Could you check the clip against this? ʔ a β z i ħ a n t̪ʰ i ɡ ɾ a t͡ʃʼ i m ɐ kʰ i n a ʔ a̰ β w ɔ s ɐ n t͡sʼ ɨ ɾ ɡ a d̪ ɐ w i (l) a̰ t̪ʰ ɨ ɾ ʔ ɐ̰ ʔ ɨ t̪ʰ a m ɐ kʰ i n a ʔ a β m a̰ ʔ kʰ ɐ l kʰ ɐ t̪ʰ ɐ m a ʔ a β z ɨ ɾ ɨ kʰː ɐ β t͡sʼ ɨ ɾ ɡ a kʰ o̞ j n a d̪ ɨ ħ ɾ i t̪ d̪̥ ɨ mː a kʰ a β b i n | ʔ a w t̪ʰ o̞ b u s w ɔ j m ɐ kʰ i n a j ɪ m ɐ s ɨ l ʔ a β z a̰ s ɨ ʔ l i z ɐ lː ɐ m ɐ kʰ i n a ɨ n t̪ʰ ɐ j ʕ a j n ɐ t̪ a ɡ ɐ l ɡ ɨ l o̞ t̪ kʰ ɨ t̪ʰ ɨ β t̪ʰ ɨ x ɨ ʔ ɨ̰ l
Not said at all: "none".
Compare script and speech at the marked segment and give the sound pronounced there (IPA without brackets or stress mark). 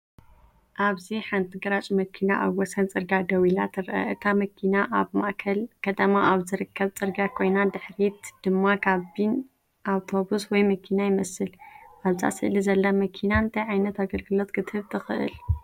l